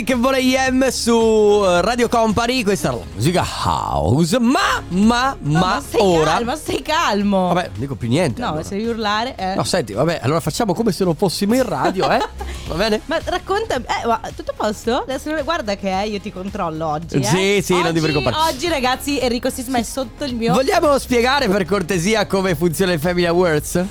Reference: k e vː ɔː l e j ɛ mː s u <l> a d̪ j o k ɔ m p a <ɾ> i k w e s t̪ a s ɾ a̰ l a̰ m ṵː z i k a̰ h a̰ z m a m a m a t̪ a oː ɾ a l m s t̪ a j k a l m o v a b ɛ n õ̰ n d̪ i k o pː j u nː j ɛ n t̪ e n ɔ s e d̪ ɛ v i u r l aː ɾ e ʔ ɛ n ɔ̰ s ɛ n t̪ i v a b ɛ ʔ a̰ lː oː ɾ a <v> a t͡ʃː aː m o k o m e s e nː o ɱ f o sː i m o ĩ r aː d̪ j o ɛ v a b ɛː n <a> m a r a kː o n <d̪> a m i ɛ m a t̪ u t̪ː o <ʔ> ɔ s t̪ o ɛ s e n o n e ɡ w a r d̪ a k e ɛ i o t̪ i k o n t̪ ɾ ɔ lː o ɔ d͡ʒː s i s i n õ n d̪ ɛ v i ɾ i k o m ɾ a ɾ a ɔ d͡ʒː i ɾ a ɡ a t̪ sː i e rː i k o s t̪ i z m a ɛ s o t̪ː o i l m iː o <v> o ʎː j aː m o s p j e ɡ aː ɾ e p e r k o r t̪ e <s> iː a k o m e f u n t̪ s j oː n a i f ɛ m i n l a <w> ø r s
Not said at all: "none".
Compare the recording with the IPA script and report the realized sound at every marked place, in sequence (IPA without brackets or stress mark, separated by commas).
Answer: r, ɾ, f, e, t̪, p, v, z, w